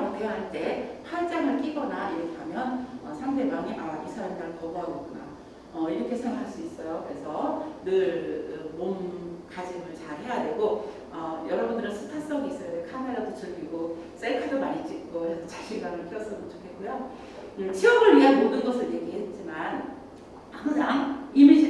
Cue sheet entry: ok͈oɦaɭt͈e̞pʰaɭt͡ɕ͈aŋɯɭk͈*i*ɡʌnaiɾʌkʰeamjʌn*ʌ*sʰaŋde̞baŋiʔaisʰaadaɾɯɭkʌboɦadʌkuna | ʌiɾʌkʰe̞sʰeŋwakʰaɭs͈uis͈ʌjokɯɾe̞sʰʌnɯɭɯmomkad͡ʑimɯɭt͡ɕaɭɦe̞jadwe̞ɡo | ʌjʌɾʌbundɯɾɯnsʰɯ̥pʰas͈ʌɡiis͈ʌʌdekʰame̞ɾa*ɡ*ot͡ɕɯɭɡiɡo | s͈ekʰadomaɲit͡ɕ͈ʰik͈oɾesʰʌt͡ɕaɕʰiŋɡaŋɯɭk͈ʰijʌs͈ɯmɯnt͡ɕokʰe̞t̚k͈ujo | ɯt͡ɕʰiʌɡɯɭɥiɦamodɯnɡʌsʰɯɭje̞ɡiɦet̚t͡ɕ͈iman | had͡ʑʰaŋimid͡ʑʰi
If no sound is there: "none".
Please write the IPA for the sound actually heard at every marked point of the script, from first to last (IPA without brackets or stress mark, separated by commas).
i, ʌ, d